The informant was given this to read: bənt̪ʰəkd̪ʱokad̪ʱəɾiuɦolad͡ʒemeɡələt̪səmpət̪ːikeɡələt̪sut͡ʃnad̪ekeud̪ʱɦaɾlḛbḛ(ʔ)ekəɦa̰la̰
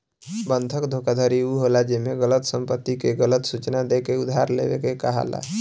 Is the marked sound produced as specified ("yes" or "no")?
no